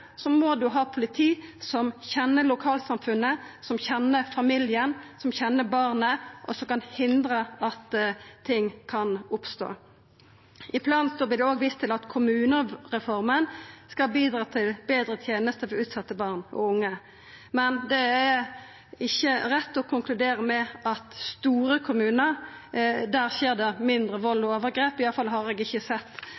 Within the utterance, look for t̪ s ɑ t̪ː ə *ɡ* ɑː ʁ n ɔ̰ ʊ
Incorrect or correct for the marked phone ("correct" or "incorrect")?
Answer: incorrect